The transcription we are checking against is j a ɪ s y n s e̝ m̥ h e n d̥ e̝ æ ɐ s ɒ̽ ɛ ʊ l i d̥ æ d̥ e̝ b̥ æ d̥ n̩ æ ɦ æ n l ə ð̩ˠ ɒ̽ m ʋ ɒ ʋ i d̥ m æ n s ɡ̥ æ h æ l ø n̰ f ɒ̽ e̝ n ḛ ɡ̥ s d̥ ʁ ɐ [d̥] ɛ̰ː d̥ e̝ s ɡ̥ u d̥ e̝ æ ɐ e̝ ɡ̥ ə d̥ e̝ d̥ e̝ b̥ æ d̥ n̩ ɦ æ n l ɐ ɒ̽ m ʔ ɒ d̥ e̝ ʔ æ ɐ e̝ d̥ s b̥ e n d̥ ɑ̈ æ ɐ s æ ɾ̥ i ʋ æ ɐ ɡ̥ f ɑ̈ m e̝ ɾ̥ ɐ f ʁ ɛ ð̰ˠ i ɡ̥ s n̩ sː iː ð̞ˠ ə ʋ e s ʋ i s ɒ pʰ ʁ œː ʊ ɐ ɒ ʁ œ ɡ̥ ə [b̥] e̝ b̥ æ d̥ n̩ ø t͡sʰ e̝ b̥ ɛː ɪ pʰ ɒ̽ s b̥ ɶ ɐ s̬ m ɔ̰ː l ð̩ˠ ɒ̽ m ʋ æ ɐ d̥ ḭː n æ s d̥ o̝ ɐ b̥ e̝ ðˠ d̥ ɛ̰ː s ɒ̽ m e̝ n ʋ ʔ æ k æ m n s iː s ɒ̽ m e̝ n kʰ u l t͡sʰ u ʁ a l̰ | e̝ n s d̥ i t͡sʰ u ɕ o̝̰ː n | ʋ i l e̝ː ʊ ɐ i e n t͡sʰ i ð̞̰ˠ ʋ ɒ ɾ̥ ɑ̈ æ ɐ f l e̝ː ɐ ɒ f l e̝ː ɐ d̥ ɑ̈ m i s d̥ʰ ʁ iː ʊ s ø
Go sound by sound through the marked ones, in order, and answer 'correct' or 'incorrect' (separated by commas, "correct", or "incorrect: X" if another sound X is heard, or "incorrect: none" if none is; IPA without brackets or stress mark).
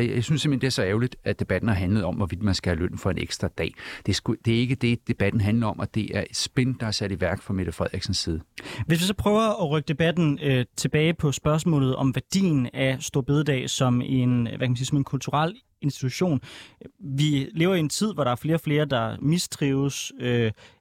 correct, incorrect: d̥